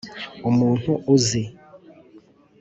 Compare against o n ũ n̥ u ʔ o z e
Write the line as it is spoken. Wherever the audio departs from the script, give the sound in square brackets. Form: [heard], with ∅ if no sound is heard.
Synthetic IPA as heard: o [m] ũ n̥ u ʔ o z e